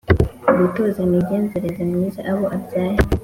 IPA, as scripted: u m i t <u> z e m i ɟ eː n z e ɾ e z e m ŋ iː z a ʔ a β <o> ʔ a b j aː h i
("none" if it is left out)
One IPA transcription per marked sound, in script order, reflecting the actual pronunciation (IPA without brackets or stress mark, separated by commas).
o, o